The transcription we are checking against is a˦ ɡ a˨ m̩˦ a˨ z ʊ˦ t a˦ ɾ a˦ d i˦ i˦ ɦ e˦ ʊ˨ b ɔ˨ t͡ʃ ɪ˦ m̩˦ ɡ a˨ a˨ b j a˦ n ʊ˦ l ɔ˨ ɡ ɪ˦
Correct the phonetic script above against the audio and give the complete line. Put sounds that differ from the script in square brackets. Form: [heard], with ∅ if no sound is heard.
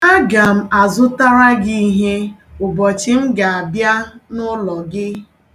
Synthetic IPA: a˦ ɡ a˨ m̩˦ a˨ z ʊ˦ t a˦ ɾ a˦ [ɡ] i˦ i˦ ɦ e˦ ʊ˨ b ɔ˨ t͡ʃ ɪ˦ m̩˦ ɡ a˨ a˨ b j a˦ n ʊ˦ l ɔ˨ ɡ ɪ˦